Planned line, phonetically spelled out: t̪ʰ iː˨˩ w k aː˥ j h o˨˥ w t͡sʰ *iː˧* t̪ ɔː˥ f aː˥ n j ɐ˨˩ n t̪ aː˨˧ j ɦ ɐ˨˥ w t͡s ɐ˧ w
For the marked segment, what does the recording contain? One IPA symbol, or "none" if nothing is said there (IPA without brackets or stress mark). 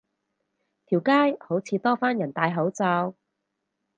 iː˧